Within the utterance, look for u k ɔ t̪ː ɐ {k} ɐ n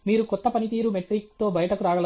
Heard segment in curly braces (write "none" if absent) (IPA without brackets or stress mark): p